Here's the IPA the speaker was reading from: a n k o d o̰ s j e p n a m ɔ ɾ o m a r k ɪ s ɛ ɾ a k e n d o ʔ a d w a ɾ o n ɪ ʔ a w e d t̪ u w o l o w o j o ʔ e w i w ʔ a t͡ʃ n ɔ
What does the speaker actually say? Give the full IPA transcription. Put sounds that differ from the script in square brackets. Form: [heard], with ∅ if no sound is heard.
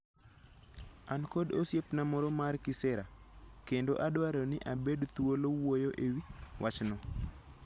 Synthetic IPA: a n k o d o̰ s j e p n a m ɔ ɾ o m a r k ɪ s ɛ ɾ a k e n d o ʔ a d w a ɾ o n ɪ ʔ a [b] e d t̪ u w o l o w o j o ʔ e w i w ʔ a t͡ʃ n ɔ